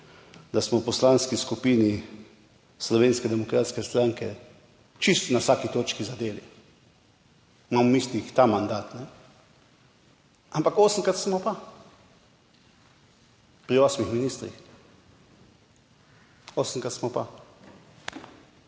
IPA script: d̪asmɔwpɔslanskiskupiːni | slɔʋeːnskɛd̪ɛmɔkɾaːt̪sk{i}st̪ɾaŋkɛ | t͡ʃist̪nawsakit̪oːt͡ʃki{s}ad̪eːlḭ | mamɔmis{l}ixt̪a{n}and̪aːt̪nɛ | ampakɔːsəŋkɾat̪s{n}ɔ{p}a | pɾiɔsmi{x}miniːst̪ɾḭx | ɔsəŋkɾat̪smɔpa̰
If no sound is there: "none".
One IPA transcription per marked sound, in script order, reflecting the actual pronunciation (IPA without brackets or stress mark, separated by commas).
ɛ, z, l, m, m, p, x